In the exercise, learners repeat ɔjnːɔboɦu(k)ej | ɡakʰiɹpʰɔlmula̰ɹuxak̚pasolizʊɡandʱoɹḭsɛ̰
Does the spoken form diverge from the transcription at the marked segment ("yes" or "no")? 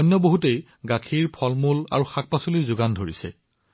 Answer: yes